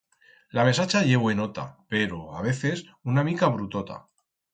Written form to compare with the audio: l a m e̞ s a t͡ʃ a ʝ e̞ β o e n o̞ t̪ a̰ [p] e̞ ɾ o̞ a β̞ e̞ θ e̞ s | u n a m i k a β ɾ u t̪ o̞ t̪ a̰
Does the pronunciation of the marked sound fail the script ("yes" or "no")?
no